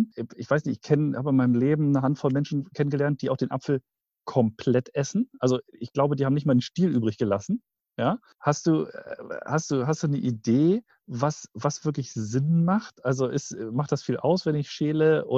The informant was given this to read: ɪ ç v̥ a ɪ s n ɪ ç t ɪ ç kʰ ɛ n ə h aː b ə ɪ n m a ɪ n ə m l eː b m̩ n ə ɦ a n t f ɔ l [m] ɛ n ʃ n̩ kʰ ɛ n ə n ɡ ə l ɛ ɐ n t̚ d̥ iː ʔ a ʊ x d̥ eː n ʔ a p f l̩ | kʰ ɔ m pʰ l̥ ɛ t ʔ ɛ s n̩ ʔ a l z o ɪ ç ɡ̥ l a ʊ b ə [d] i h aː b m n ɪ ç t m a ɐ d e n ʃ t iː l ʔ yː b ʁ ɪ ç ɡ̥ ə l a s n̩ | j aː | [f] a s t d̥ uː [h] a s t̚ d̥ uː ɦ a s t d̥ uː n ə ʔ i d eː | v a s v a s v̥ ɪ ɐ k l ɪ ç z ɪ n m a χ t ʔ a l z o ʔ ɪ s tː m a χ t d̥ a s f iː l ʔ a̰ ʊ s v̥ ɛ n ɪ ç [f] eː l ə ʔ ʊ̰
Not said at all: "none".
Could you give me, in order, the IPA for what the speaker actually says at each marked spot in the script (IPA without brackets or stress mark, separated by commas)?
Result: m, d, h, h, ʃ